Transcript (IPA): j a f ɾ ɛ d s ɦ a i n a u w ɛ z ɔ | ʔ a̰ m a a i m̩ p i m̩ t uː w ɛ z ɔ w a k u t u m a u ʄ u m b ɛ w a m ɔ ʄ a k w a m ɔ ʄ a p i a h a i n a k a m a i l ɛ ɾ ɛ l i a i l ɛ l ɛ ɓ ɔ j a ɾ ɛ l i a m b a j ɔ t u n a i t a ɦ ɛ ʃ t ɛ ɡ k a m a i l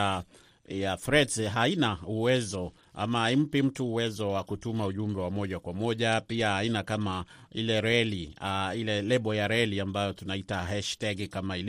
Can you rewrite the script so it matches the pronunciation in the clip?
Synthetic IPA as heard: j a f ɾ ɛ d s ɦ a i n a u w ɛ z ɔ | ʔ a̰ m a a i m̩ p i m̩ t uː w ɛ z ɔ w a k u t u m a u ʄ u m b ɛ w a m ɔ ʄ a k w a m ɔ ʄ a p i a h a i n a k a m a i l ɛ ɾ ɛ l i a i l ɛ l ɛ ɓ ɔ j a ɾ ɛ l i a m b a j ɔ t u n a i t a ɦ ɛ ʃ t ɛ ɡ k a m a i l